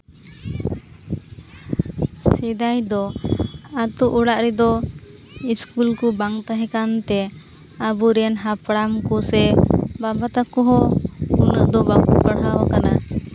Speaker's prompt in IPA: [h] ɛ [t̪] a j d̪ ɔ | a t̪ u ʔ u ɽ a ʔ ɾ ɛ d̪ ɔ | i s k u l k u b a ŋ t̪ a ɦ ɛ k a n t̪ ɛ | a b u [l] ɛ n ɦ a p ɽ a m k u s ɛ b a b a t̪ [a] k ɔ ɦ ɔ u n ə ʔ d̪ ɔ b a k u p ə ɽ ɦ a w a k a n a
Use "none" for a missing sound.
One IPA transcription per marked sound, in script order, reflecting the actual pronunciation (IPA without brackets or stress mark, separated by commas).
s, d̪, ɾ, a